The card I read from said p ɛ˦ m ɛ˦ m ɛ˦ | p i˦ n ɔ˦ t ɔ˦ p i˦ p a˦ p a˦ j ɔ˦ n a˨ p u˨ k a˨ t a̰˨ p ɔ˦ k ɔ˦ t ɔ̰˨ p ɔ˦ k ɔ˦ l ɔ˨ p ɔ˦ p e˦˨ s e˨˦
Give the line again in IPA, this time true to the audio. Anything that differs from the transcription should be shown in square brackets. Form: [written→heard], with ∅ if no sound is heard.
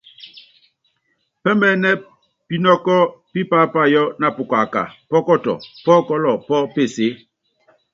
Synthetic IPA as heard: p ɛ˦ m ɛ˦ [m→n] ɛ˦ | p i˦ n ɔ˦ [t→k] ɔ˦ p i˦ p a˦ p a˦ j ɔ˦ n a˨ p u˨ k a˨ [t→k] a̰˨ p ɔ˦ k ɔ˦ t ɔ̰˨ p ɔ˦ k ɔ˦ l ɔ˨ p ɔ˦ p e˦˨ s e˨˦